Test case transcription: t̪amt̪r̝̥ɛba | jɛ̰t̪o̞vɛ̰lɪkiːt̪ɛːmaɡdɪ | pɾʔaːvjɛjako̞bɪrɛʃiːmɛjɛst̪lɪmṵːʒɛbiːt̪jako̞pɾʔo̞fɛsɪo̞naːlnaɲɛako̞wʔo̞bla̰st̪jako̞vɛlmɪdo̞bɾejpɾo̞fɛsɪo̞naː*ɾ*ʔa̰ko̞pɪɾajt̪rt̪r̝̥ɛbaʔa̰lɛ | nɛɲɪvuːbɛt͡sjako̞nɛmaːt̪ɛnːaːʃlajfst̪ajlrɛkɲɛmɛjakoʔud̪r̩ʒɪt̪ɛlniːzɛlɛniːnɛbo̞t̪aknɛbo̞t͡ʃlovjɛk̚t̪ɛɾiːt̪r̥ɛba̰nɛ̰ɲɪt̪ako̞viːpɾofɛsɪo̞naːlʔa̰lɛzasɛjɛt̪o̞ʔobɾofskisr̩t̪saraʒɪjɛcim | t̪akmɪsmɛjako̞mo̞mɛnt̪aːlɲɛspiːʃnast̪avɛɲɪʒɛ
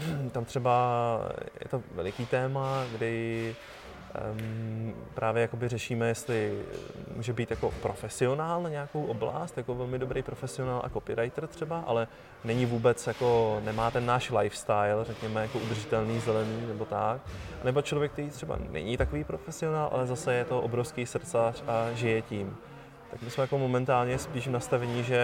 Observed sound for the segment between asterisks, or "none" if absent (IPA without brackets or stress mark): l